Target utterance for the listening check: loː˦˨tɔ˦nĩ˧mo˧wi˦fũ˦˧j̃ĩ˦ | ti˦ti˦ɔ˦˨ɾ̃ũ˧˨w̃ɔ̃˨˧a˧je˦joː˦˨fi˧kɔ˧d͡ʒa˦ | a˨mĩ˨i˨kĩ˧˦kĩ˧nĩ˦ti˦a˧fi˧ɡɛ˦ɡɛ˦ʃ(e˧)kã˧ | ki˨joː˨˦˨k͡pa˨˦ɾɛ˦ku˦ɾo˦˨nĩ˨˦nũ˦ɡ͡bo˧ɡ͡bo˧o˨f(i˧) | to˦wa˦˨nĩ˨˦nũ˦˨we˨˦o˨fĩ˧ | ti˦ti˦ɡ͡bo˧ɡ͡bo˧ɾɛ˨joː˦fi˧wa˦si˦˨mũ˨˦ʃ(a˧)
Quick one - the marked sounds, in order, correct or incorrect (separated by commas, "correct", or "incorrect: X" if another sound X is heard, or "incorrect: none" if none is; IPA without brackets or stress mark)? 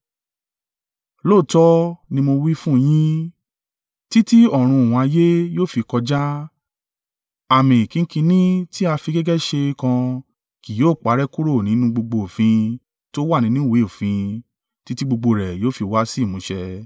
correct, incorrect: ĩ˧, incorrect: ɛ˧